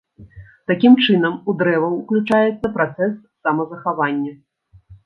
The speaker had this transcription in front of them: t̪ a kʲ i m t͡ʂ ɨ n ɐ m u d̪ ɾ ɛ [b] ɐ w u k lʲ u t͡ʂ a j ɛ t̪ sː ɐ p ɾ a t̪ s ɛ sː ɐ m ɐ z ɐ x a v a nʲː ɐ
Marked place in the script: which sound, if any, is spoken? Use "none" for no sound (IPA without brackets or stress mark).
v